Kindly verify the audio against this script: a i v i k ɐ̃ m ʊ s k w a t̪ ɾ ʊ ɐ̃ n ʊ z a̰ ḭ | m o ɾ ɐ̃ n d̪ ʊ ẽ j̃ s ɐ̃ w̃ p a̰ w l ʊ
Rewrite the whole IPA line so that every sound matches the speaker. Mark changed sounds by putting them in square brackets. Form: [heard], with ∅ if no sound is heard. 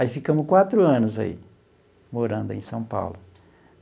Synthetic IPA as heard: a i [f] i k ɐ̃ m ʊ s k w a t̪ ɾ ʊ ɐ̃ n ʊ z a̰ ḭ | m o ɾ ɐ̃ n d̪ ʊ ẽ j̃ s ɐ̃ w̃ p a̰ w l ʊ

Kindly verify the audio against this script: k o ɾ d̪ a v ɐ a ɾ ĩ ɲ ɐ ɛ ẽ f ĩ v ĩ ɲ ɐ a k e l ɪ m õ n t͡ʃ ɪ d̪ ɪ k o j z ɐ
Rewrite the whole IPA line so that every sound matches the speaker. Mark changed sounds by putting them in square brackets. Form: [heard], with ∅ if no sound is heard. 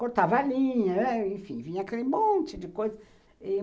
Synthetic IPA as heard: k o ɾ [t̪] a v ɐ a [l] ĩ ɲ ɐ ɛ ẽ f ĩ v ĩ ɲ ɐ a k e l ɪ m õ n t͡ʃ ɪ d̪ ɪ k o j z ɐ

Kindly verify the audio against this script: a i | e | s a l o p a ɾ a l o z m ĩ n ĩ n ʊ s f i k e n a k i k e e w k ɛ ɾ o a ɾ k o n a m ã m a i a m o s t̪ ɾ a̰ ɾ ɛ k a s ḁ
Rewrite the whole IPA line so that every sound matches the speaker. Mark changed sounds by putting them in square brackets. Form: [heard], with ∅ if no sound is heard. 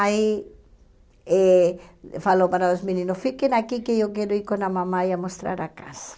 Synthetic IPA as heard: a i | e | [f] a l o p a ɾ a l o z m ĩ n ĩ n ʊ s f i k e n a k i k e e w k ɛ ɾ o [i] ɾ k o n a m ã m a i a m o s t̪ ɾ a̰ ɾ [a] k a s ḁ

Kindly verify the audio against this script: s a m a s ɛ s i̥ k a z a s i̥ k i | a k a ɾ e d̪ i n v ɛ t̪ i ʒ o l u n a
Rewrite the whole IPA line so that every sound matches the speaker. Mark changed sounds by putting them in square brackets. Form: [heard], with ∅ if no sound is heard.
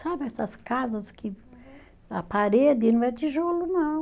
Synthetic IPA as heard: s a [b] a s [a] s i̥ k a z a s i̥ k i | a [p] a ɾ e d̪ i n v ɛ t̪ i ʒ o l u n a

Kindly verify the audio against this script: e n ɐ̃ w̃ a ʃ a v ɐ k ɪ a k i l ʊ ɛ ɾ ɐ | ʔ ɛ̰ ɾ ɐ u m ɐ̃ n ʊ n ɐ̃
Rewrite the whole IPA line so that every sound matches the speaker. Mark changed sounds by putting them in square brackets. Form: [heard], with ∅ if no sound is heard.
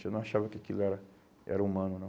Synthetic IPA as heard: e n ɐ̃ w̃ a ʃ a v ɐ k ɪ a k i l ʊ ɛ ɾ ɐ | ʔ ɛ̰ ɾ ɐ u m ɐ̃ n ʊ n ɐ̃

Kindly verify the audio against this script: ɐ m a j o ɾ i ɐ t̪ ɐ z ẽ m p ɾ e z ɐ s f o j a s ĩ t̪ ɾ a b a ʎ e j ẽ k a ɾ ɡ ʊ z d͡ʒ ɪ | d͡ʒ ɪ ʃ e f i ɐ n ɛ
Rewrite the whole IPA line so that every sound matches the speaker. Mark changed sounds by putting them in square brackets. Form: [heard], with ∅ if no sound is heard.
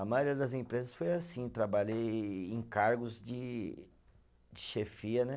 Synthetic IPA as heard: ɐ m a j o ɾ i ɐ [d̪] ɐ z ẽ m p ɾ e z ɐ s f o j a s ĩ t̪ ɾ a b a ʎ e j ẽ k a ɾ ɡ ʊ z d͡ʒ ɪ | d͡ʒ ɪ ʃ e f i ɐ n ɛ

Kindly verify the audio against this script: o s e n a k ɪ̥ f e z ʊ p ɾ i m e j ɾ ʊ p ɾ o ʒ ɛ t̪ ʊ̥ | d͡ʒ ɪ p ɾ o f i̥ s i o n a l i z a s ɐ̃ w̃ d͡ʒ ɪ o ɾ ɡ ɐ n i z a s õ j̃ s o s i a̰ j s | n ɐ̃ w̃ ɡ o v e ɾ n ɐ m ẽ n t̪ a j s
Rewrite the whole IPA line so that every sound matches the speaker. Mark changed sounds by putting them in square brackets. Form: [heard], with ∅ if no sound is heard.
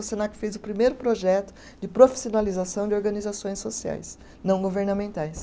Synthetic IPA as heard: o s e n a k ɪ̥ f e z ʊ p ɾ i m e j ɾ ʊ p ɾ o ʒ ɛ t̪ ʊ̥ | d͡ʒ ɪ p ɾ o f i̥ s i o n a l i z a s ɐ̃ w̃ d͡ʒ ɪ o ɾ ɡ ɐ n i z a s õ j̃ s o s i a̰ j s | n ɐ̃ w̃ ɡ o v e ɾ n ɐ m ẽ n t̪ a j s

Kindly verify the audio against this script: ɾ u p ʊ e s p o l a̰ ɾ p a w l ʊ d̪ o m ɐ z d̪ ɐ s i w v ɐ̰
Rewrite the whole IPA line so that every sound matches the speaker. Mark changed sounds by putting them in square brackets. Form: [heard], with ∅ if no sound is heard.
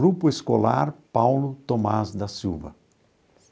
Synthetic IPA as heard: ɾ u p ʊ e s [k] o l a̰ ɾ p a w l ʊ [t̪] o m [a] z d̪ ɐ s i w v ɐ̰

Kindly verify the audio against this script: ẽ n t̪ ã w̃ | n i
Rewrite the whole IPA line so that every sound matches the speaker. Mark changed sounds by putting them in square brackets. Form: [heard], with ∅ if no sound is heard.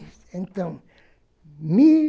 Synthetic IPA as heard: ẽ n t̪ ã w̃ | [m] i

